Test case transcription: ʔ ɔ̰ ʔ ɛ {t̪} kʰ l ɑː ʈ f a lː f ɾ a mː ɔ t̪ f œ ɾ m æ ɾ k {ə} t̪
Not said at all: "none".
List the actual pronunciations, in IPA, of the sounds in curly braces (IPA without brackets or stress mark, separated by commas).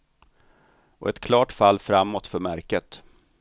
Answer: t̪, ə